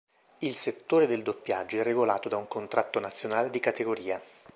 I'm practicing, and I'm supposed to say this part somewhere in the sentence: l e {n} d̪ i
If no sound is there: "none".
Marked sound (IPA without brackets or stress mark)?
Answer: none